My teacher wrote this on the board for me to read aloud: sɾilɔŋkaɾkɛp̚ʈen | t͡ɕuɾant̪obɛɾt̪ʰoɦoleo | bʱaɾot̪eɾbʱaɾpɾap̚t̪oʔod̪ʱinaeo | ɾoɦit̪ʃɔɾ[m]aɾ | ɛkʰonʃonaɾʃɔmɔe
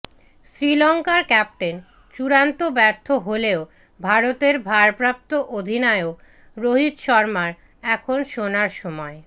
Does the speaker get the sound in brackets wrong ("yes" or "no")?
no